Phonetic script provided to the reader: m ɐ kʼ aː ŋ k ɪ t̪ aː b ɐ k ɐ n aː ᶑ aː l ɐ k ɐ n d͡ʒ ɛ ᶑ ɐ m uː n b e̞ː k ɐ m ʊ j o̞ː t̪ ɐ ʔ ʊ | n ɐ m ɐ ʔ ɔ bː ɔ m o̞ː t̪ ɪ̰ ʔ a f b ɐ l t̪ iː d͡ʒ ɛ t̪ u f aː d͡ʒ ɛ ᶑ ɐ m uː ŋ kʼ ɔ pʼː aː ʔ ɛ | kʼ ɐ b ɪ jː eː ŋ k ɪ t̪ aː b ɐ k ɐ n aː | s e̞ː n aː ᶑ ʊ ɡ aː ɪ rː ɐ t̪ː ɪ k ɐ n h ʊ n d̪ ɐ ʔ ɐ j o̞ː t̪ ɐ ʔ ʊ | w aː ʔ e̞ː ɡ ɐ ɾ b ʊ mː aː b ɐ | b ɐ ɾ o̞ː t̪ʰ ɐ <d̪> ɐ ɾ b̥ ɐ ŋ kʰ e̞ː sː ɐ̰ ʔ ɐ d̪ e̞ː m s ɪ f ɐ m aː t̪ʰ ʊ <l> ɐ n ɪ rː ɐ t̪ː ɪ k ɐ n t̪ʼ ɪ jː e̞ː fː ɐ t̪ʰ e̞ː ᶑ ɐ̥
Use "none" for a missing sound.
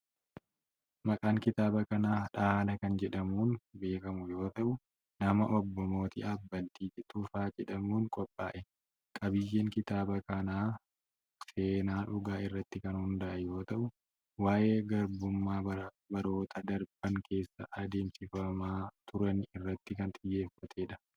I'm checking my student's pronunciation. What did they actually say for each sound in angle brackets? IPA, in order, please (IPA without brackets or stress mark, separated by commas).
d̪, ɾ